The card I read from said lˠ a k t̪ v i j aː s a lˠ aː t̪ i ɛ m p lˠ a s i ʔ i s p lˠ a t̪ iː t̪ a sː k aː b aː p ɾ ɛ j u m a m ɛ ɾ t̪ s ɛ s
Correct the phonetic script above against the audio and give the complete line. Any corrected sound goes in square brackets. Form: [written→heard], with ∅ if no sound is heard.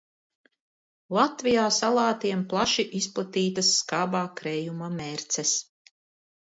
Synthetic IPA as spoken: lˠ a [k→∅] t̪ v i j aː s a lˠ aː t̪ i ɛ m p lˠ a [s→ʃ] i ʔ i s p lˠ a t̪ iː t̪ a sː k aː b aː [p→k] ɾ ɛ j u m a m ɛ ɾ t̪ s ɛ s